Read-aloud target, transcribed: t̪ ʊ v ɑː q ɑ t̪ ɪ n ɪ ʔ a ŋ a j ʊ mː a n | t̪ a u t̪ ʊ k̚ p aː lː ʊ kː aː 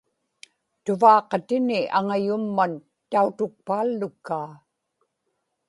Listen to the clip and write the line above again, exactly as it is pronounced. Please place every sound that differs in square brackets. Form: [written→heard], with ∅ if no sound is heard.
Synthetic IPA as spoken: t̪ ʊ v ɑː q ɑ t̪ ɪ n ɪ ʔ a ŋ a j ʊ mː a n | t̪ a u t̪ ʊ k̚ p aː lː ʊ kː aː

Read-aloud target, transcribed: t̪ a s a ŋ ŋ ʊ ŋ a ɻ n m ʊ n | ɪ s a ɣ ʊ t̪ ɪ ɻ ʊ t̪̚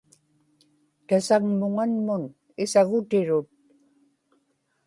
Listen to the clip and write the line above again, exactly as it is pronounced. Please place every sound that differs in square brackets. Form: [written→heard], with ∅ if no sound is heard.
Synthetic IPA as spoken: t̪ a s a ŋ [ŋ→m] ʊ ŋ a [ɻ→∅] n m ʊ n | ɪ s a ɣ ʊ t̪ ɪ ɻ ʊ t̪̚

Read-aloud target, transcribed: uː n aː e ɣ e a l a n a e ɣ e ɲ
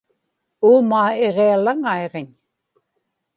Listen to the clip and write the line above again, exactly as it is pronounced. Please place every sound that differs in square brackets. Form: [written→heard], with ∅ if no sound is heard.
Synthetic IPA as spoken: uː [n→m] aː e [ɣ→ʁ] e a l a [n→ŋ] a e [ɣ→ʁ] e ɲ

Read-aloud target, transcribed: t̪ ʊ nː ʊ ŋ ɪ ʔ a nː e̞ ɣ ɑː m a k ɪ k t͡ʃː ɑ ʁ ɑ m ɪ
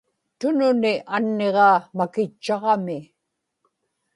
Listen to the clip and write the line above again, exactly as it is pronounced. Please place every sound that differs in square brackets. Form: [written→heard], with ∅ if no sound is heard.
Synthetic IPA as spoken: t̪ ʊ [nː→n] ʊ [ŋ→n] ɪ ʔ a nː e̞ [ɣ→ʁ] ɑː m a k ɪ [k→∅] t͡ʃː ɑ ʁ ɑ m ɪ

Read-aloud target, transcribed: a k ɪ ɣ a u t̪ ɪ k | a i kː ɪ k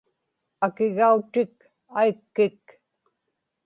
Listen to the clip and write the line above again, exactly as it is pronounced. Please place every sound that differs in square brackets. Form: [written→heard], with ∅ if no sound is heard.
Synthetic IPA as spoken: a k ɪ ɣ a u t̪ ɪ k | a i kː ɪ k

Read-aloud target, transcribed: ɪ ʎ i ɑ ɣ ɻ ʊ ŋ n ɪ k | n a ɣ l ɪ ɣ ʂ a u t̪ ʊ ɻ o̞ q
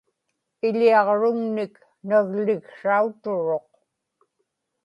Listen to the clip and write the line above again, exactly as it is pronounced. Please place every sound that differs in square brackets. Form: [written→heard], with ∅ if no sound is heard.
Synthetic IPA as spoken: ɪ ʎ i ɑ [ɣ→ʁ] ɻ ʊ ŋ n ɪ k | n a ɣ l ɪ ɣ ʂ a u t̪ ʊ ɻ o̞ q

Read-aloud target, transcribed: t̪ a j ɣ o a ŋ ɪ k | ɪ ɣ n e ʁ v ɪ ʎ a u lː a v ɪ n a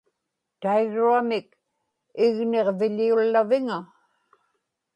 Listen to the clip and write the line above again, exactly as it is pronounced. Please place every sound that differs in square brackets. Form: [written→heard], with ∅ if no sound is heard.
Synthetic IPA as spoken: t̪ a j ɣ [o→u] a [ŋ→m] ɪ k | ɪ ɣ n e ʁ v ɪ ʎ [a→i] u lː a v ɪ [n→ŋ] a

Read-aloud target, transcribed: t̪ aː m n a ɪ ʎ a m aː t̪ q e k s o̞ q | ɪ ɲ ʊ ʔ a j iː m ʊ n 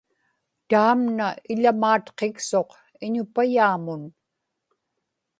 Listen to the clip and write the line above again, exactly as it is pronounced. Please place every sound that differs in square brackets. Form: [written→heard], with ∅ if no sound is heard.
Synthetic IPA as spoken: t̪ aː m n a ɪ ʎ a m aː t̪ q e k s o̞ q | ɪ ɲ ʊ [ʔ→p] a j [iː→aː] m ʊ n

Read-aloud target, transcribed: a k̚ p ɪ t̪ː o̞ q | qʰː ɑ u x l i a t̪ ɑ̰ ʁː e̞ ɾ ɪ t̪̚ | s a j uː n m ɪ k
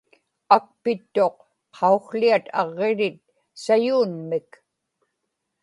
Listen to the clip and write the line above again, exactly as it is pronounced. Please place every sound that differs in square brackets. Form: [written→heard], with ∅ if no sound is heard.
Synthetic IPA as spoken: a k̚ p ɪ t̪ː o̞ q | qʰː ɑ u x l i a t̪ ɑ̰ ʁː e̞ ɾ ɪ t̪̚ | s a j uː n m ɪ k

